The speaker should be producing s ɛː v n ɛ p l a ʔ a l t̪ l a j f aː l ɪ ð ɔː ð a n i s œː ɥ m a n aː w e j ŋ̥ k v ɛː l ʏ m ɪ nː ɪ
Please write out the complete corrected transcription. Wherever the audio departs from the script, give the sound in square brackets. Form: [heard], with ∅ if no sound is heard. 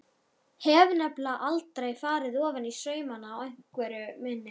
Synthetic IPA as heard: [h] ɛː v n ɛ p l a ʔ a l t̪ [ɾ] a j f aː [ɾ] ɪ ð ɔː [v] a n i s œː ɥ m a n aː w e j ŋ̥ k v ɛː [ɾ] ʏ m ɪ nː ɪ